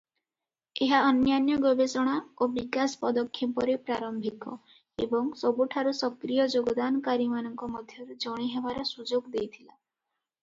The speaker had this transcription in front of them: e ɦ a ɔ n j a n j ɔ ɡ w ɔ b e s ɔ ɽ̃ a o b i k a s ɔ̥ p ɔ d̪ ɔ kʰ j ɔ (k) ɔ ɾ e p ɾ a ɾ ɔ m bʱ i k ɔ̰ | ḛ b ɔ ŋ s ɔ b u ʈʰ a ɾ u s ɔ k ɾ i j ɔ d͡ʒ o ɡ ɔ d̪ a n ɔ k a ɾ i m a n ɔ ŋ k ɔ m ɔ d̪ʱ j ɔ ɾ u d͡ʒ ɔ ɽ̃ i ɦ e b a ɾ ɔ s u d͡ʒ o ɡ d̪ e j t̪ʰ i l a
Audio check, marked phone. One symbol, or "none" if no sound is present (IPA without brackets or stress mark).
p